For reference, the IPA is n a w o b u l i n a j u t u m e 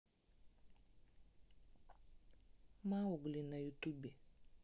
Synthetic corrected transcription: m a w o ɡ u l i n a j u t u b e